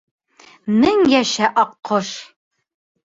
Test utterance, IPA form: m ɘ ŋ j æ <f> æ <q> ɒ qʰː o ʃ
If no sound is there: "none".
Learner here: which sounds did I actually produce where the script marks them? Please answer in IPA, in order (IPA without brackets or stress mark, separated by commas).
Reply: ʃ, ʔ